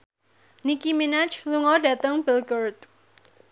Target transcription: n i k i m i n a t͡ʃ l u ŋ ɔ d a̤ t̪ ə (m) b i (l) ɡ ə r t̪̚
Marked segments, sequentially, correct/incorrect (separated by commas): incorrect, correct